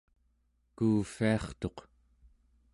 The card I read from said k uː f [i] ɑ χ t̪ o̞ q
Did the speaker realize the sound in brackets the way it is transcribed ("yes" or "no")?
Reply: yes